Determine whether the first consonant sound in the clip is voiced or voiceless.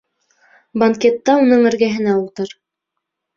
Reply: voiced